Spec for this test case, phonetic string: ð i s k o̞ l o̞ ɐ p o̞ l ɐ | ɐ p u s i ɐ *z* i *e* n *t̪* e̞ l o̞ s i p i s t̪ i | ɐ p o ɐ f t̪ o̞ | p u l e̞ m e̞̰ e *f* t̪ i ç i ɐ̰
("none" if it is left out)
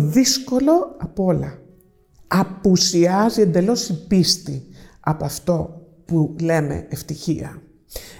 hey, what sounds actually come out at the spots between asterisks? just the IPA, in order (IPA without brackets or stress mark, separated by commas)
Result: z, e, d̪, f